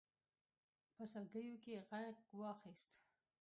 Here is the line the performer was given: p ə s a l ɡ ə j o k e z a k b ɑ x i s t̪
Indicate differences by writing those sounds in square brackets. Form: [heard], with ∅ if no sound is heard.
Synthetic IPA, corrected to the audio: p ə s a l ɡ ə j o k e [ɣ] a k [w] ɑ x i s t̪